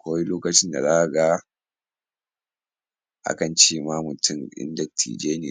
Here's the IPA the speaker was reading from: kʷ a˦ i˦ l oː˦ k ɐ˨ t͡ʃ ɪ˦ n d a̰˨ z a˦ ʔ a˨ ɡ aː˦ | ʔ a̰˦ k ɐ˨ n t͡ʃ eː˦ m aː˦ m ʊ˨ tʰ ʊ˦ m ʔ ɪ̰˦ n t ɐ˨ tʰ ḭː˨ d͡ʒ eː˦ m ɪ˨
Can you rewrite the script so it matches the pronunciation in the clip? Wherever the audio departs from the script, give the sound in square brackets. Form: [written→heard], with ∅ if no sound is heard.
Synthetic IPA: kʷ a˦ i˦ l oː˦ k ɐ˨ t͡ʃ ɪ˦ n d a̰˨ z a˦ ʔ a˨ ɡ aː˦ | ʔ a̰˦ k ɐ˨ n t͡ʃ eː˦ m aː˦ m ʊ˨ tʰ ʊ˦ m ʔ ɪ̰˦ n [t→d] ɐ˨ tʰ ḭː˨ d͡ʒ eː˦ [m→n] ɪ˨